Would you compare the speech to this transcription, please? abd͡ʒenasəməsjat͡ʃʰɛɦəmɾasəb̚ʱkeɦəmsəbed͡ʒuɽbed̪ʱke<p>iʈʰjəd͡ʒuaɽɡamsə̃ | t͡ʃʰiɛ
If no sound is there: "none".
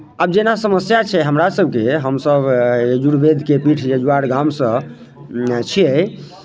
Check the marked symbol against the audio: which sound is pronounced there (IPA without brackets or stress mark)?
p